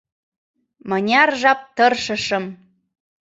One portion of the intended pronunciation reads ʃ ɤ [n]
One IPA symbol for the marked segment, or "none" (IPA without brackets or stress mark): m